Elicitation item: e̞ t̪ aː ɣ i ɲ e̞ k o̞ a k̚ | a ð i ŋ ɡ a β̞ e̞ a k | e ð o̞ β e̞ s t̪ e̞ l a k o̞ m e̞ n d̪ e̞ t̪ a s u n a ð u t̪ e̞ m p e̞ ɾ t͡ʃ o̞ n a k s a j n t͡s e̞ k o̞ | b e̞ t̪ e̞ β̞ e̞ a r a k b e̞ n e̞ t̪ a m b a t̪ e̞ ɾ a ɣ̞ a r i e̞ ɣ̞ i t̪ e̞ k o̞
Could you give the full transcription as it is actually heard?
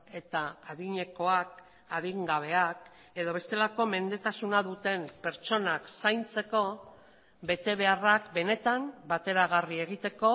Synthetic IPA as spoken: e̞ t̪ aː ð i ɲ e̞ k o̞ a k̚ | a ð i ŋ ɡ a β̞ e̞ a k | e ð o̞ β e̞ s t̪ e̞ l a k o̞ m e̞ n d̪ e̞ t̪ a s u n a ð u t̪ e̞ m p e̞ ɾ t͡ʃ o̞ n a k s a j n t͡s e̞ k o̞ | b e̞ t̪ e̞ β̞ e̞ a r a k b e̞ n e̞ t̪ a m b a t̪ e̞ ɾ a ɣ̞ a r i e̞ ɣ̞ i t̪ e̞ k o̞